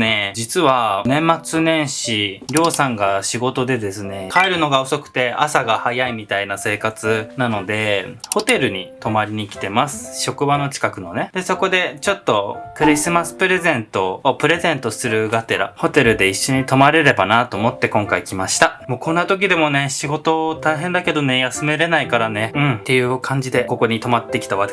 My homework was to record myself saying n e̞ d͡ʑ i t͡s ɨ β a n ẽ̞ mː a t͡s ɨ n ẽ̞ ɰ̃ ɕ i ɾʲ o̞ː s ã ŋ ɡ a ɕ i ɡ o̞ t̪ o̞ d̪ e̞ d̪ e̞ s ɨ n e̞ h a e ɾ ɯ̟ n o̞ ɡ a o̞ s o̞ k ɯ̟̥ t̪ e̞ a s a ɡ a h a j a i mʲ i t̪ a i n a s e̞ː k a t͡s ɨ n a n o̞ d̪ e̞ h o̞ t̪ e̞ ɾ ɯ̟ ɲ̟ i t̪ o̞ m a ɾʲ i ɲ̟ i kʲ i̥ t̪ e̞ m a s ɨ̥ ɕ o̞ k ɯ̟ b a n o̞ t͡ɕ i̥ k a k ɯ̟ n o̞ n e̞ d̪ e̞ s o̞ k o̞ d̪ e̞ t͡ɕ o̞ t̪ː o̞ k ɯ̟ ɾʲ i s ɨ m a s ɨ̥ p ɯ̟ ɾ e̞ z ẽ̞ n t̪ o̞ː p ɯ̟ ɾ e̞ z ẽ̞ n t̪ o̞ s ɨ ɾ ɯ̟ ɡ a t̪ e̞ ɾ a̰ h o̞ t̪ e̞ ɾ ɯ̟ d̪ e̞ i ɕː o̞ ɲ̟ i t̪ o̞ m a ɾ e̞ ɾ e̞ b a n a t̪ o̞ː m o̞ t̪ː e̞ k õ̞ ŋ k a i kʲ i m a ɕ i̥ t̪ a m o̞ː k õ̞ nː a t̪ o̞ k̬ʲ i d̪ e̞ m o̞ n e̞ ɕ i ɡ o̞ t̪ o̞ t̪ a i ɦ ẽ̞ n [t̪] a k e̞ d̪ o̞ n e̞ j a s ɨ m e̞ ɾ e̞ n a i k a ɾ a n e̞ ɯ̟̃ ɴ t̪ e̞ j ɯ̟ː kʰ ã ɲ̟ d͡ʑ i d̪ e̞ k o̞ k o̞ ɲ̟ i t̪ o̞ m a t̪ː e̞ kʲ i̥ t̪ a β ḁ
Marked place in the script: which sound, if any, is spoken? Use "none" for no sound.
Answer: d̪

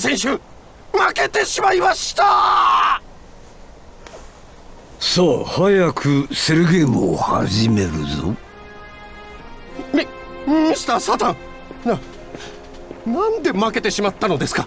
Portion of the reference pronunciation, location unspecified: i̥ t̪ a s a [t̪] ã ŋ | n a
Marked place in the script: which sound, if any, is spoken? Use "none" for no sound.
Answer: t̪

